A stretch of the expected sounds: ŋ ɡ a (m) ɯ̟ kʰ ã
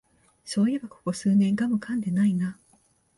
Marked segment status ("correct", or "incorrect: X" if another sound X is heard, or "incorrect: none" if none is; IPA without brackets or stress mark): correct